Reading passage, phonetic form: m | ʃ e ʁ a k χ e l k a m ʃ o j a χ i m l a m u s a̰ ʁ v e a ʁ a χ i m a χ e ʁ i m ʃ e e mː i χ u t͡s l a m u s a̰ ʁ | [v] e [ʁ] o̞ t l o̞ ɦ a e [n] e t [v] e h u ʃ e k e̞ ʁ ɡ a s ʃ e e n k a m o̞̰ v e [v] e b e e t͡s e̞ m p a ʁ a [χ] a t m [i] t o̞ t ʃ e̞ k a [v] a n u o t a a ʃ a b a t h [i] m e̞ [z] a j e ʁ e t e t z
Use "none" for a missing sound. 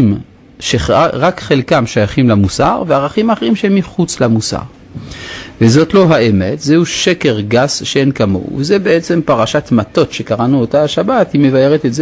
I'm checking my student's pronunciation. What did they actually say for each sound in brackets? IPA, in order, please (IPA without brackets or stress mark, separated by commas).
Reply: v, z, m, z, z, ʃ, a, ʁ, i, v